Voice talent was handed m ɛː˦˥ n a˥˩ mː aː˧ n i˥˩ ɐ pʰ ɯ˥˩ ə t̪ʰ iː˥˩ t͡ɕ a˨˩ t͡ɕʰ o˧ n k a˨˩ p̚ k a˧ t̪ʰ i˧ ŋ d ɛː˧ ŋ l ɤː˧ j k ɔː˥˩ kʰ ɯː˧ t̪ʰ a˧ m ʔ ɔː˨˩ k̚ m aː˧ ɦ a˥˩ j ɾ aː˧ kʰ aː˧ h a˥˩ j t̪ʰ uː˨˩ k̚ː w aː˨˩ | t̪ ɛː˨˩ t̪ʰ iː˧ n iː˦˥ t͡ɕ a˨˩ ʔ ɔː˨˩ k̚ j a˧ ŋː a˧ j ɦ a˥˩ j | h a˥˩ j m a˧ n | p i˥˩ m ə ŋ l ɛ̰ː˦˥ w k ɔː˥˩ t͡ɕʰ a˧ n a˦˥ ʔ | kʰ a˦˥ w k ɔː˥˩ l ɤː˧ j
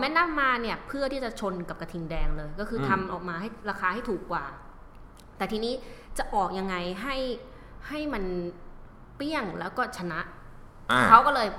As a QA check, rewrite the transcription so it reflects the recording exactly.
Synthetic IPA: m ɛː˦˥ n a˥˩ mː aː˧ n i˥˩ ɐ pʰ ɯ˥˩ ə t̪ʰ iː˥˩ t͡ɕ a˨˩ t͡ɕʰ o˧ n k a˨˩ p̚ k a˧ t̪ʰ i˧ ŋ d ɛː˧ ŋ l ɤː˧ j k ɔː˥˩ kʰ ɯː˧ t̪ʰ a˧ m ʔ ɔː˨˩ k̚ m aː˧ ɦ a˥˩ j ɾ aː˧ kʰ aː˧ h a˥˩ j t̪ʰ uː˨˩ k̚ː w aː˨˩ | t̪ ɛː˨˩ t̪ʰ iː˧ n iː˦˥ t͡ɕ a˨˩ ʔ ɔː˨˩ k̚ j a˧ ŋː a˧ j ɦ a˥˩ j | h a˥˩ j m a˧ n | p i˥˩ ə ŋ l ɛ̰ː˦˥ w k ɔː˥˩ t͡ɕʰ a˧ n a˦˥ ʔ | kʰ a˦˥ w k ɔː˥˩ l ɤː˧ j